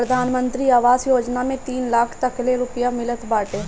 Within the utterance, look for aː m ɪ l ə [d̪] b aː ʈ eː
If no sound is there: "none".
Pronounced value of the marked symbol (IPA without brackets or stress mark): t̪